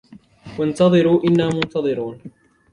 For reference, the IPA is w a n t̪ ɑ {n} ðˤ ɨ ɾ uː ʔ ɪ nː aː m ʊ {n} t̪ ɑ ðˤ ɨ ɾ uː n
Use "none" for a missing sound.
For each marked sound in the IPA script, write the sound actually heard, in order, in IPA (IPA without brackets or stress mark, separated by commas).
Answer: none, n